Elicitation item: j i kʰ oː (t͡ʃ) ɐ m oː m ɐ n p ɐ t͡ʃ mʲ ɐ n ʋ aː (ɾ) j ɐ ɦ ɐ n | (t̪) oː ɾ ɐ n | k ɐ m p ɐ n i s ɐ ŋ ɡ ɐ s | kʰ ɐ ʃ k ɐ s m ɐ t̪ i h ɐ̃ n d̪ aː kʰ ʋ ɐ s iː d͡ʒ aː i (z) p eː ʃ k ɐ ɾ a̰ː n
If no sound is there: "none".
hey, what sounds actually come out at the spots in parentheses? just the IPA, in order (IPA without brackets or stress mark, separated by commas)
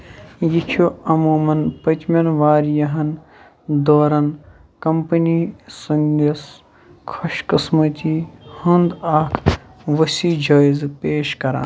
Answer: none, ɾ, d̪, z